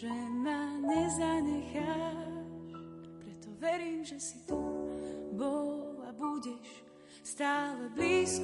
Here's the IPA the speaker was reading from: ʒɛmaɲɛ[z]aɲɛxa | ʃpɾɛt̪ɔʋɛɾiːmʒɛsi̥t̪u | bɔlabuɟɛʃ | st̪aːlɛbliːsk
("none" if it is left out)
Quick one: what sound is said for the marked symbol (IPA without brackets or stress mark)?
z